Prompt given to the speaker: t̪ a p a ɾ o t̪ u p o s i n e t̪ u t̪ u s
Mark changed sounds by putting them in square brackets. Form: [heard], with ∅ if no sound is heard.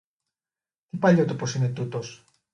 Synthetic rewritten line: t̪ [i] p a [ʎ] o t̪ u p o s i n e t̪ u t̪ [o] s